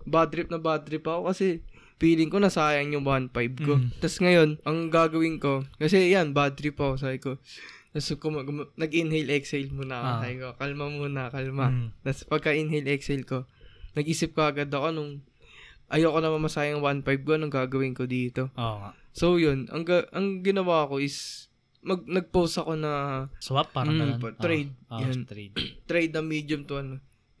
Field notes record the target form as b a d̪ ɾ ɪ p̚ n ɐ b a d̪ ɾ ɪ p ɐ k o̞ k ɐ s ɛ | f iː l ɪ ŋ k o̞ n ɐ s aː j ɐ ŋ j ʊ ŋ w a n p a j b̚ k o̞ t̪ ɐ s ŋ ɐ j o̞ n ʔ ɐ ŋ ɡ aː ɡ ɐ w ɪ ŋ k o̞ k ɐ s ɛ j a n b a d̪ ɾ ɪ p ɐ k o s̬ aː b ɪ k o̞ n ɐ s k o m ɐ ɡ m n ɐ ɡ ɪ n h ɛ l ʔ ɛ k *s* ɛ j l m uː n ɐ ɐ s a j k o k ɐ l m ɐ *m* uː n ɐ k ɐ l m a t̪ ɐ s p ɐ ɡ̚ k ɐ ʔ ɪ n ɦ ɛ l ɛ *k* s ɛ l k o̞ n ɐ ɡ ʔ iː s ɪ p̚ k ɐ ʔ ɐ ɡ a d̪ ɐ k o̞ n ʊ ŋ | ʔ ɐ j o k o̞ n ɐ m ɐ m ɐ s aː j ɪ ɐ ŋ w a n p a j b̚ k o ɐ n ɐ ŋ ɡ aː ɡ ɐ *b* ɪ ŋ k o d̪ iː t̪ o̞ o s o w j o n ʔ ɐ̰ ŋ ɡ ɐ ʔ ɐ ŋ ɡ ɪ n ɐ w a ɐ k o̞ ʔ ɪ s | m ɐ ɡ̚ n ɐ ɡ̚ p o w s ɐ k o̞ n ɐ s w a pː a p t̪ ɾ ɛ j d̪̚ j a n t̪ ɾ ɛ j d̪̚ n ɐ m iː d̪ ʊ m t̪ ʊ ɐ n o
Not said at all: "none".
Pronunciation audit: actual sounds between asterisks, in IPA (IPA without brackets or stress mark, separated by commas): s, m, k, w